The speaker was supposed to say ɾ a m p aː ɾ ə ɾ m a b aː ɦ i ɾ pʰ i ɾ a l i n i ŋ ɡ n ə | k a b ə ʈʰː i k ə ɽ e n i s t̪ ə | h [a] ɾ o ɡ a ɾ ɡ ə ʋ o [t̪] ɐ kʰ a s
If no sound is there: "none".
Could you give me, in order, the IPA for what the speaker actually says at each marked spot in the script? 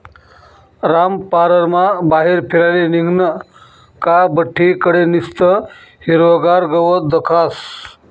i, d̪

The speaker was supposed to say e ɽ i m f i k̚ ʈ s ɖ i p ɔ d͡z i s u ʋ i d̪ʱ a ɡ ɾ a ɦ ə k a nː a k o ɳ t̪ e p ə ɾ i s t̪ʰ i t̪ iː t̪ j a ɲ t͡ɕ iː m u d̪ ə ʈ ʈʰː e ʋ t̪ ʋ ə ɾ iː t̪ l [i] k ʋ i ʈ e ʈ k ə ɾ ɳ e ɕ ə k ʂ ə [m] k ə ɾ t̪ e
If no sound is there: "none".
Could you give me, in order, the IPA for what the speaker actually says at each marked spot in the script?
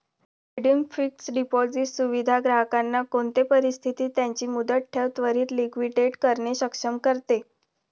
i, m

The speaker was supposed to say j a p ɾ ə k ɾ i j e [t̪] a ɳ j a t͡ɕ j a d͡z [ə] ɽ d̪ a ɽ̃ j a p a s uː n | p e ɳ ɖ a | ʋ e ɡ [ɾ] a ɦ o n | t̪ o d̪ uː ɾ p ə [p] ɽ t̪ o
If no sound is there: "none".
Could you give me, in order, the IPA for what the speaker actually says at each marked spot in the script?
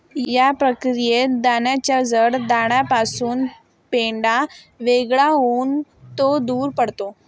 d̪, ə, ɭ, none

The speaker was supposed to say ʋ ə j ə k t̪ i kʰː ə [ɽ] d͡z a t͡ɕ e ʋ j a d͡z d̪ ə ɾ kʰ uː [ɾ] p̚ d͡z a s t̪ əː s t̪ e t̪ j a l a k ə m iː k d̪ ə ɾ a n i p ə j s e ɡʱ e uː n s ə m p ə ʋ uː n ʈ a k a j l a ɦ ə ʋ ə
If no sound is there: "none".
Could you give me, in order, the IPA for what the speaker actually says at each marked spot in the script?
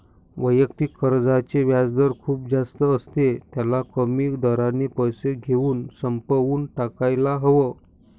ɾ, none

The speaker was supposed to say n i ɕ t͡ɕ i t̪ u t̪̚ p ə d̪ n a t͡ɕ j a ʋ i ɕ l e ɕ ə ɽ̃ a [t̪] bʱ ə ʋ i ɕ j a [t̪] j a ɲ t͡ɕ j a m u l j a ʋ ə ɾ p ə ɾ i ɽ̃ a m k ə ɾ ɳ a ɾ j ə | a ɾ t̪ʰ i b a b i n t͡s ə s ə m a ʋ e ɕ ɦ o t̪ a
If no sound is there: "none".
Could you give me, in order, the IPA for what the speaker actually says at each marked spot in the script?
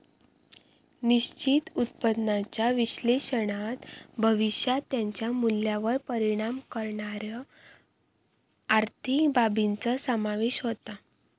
t̪, t̪

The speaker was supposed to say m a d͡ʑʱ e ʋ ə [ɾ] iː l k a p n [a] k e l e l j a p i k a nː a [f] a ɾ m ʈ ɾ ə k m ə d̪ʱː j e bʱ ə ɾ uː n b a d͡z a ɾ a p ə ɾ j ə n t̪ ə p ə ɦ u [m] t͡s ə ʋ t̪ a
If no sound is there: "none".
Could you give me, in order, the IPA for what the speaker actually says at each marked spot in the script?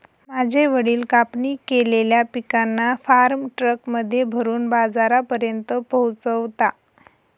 ɽ, i, f, none

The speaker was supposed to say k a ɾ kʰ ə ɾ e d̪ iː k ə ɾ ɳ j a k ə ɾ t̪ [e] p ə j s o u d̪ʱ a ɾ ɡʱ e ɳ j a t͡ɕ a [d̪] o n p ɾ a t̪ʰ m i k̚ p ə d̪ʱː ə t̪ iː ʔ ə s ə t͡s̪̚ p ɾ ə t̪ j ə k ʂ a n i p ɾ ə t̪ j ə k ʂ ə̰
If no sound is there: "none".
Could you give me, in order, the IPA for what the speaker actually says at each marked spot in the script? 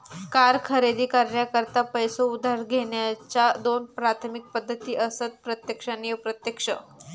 a, d̪

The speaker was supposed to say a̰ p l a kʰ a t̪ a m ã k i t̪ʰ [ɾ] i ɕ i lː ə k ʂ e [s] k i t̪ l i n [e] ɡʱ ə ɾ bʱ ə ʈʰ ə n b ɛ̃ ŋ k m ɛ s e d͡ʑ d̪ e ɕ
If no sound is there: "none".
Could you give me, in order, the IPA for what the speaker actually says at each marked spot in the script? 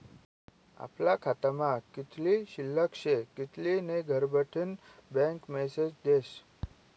l, none, e

